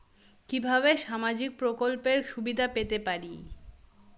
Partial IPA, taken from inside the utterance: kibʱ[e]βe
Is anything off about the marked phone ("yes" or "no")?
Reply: yes